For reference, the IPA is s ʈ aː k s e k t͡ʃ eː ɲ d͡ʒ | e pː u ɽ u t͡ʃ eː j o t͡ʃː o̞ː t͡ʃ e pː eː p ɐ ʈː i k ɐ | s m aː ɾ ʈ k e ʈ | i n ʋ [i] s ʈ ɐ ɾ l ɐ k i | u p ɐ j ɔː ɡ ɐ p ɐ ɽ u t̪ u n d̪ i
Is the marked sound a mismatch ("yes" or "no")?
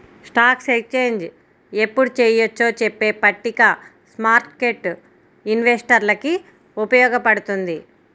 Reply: yes